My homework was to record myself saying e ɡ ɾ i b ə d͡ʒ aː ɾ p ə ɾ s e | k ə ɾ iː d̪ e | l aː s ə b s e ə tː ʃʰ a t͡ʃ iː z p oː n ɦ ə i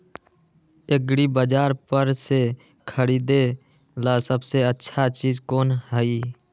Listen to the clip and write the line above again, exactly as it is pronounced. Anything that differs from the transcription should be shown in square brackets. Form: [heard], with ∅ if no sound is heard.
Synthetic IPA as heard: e ɡ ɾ i b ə d͡ʒ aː ɾ p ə ɾ s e | [kʰ] ə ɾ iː d̪ e | l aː s ə b s e ə tː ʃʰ a t͡ʃ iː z [k] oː n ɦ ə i